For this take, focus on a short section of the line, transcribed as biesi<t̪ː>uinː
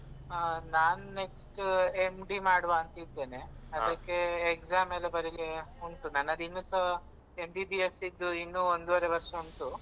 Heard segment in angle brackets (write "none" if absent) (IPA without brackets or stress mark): d̪ː